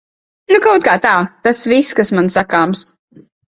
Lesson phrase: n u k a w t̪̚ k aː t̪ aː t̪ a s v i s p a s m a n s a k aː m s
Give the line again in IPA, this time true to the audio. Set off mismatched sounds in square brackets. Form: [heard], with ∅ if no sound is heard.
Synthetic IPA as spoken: n u k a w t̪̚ k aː t̪ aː t̪ a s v i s [k] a s m a n s a k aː m s